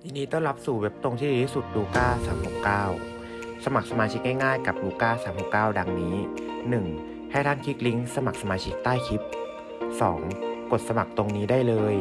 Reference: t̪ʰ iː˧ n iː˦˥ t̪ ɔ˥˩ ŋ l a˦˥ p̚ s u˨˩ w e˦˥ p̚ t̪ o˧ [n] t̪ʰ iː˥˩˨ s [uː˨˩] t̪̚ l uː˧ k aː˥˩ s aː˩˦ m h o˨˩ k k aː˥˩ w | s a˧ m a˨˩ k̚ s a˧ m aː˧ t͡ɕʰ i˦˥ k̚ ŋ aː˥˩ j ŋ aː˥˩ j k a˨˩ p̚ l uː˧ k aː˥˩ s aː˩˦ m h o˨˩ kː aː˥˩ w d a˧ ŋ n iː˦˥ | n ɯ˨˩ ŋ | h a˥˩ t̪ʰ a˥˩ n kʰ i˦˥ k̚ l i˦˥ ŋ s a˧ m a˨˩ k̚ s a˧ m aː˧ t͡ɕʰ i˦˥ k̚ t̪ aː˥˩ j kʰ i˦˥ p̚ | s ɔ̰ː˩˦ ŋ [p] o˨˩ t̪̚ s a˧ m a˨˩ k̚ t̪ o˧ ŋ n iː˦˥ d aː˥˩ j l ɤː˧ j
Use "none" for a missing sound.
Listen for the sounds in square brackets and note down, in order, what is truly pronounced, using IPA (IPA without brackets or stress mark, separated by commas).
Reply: ŋ, u˨˩, k